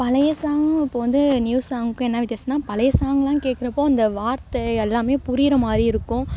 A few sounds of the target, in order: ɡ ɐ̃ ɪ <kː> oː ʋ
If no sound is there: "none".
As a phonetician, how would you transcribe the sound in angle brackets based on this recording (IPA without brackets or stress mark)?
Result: pː